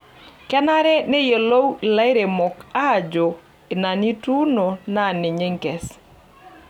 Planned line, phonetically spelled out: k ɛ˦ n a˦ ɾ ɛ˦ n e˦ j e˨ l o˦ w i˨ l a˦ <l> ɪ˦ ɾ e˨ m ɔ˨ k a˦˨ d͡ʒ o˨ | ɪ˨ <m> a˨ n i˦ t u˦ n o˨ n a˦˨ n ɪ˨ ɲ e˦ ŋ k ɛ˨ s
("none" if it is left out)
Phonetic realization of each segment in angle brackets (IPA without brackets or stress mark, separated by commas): none, n